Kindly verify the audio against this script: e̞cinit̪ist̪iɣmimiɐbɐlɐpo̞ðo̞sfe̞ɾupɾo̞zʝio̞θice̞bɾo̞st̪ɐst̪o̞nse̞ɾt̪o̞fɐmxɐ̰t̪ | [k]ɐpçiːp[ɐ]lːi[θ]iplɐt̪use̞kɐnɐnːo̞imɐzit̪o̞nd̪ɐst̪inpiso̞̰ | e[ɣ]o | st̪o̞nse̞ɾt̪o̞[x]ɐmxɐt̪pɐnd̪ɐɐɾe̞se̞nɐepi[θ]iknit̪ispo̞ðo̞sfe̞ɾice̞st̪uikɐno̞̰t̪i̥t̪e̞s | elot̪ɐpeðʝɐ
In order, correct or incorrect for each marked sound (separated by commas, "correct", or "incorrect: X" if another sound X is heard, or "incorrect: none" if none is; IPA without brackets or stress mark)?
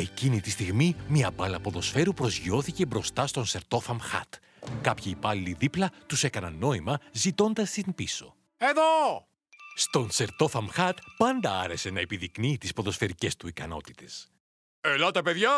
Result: correct, correct, incorrect: ð, incorrect: ð, incorrect: f, incorrect: ð